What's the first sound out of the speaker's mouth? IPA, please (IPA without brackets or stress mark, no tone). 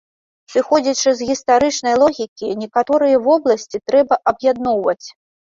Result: s